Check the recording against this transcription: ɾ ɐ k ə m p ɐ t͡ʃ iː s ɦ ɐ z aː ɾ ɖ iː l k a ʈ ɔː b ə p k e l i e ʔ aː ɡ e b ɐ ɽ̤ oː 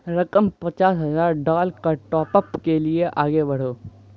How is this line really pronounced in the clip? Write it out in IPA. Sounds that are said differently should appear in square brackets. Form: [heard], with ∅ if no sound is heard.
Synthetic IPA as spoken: ɾ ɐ k ə m p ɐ t͡ʃ [aː] s ɦ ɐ z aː ɾ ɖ [aː] l k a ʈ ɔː [p] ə p k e l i e ʔ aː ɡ e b ɐ ɽ̤ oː